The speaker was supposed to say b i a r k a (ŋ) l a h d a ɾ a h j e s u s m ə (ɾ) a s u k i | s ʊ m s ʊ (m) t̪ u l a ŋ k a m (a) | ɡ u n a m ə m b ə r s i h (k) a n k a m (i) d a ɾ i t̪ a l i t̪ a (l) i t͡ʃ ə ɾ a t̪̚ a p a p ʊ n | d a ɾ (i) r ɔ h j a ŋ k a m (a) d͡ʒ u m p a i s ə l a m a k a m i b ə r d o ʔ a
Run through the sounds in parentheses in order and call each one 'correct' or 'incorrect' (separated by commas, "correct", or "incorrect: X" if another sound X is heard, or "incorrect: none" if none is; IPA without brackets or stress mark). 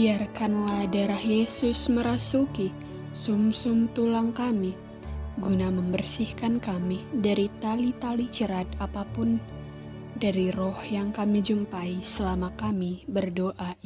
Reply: incorrect: n, correct, correct, incorrect: i, correct, correct, correct, correct, incorrect: i